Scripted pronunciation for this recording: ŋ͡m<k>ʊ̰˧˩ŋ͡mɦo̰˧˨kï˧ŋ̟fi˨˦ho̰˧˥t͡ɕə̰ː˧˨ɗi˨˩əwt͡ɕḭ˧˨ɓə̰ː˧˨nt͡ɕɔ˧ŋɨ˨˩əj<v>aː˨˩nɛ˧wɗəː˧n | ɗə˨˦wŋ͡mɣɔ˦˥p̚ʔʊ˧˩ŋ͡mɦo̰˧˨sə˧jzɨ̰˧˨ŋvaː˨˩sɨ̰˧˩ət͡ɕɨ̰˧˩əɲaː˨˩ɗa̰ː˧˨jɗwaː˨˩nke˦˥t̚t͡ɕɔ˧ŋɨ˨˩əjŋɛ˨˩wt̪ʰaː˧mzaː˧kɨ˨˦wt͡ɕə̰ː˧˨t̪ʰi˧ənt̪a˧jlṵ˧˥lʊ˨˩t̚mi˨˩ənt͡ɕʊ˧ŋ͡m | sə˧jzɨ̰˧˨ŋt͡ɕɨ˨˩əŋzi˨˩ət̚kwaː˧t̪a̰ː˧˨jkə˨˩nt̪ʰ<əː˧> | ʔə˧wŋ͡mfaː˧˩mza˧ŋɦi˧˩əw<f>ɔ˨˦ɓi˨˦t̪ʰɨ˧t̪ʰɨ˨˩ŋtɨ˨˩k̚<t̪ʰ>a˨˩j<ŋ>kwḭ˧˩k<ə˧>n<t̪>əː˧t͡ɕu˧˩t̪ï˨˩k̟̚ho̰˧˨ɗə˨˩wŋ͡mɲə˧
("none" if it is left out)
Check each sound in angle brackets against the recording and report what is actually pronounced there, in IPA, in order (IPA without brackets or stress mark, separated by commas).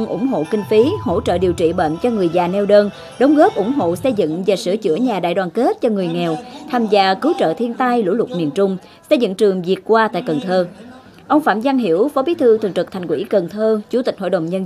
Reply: ʔ, z, əː˧, f, t̪ʰ, ŋ, ə˨˩, t̪ʰ